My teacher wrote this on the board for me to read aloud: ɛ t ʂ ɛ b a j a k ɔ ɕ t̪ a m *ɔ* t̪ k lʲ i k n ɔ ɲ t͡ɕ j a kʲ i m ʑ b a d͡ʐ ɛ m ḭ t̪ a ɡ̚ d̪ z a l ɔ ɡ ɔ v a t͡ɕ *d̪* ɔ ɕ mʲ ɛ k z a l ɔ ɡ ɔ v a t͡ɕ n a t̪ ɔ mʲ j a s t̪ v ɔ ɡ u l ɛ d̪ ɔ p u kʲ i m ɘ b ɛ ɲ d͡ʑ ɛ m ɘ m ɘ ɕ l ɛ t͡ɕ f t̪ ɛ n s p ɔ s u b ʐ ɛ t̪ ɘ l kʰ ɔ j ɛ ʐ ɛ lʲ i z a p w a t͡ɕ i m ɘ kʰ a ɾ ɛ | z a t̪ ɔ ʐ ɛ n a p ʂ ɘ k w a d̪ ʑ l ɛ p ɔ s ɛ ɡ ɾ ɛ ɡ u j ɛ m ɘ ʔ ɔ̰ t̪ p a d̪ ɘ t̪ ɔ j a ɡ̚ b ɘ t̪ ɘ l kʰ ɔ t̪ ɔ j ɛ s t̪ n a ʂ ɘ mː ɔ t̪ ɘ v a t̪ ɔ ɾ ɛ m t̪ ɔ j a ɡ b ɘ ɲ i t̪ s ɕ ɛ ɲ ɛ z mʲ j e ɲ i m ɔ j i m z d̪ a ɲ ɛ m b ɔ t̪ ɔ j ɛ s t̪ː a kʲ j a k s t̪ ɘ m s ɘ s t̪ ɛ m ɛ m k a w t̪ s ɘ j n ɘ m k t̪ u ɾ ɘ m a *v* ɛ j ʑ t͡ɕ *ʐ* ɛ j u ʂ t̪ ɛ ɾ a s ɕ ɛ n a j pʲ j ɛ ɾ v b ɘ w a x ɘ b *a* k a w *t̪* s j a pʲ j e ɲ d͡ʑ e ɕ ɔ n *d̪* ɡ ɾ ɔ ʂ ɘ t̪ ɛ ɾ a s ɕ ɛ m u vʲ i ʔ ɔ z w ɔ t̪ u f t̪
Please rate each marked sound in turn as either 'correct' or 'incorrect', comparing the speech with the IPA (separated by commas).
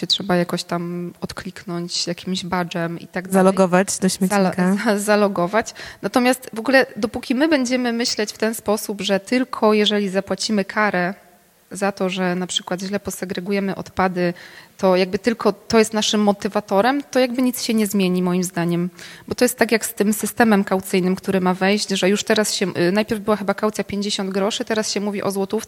correct, correct, correct, correct, correct, correct, correct